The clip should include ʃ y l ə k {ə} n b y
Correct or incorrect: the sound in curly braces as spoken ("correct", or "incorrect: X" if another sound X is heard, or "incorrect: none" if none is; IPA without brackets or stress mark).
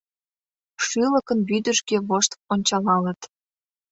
correct